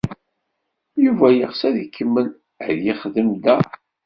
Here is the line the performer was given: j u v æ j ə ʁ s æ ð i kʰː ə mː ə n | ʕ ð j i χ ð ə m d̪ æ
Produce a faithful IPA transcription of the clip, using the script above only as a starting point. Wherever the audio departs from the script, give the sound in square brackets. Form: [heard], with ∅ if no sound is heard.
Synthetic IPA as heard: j u v æ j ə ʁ s æ ð i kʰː ə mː ə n | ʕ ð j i χ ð ə m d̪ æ